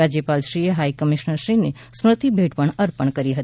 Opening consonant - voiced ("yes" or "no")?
yes